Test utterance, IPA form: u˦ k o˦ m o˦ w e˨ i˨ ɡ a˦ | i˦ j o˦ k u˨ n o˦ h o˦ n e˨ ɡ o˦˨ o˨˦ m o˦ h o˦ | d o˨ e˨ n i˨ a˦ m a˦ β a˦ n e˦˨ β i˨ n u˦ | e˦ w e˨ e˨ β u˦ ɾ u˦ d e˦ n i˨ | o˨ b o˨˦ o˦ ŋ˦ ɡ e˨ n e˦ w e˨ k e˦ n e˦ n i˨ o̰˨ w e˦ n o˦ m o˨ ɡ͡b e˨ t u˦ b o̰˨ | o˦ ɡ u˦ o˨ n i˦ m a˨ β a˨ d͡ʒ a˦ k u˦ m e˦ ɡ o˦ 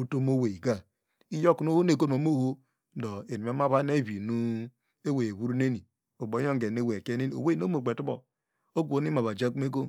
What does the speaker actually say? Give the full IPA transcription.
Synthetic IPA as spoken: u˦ t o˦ m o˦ w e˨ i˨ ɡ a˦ | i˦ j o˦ k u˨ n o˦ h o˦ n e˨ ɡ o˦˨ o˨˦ m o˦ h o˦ | d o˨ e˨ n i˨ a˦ m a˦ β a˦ n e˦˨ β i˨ n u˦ | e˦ w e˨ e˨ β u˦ ɾ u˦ n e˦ n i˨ | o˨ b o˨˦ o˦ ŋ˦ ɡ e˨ n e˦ w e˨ k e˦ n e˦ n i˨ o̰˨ w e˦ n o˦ m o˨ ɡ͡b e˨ t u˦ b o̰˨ | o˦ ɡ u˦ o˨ n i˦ m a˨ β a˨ d͡ʒ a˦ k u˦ m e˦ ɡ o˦